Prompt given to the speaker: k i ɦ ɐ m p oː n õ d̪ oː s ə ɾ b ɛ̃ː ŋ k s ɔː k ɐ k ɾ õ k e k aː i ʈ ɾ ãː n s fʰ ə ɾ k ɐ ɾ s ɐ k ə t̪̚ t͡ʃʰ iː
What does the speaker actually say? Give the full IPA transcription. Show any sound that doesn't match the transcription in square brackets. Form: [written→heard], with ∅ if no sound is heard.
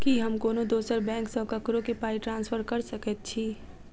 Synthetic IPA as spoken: k i ɦ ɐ m [p→k] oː n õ d̪ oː s ə ɾ b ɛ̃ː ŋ k s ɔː k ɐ k ɾ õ k e [k→p] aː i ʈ ɾ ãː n s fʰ ə ɾ k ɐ ɾ s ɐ k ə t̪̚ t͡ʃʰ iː